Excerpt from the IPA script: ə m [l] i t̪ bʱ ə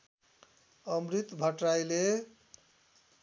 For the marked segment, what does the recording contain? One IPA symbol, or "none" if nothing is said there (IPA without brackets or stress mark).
ɾ